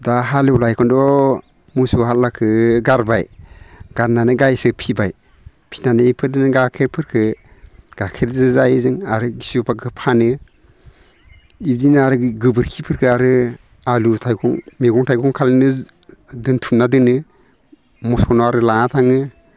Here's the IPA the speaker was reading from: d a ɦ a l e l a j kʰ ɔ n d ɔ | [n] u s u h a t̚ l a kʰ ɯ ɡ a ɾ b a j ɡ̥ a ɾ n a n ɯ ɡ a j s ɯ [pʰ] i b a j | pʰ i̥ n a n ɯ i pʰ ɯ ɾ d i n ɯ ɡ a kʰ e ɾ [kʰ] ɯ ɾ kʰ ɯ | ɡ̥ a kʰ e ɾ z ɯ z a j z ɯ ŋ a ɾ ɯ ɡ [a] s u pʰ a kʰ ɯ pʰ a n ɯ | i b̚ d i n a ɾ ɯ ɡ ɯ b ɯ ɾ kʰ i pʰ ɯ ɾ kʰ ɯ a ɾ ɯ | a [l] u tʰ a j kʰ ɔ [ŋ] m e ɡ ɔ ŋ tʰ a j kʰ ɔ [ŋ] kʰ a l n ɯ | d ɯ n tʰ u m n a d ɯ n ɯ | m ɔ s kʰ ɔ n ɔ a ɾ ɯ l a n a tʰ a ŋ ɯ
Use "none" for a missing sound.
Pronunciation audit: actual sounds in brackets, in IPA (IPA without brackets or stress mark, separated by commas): m, pʰ, pʰ, i, l, ŋ, ŋ